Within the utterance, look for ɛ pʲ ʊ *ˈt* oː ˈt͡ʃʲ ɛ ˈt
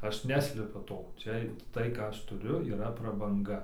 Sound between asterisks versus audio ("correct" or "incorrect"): correct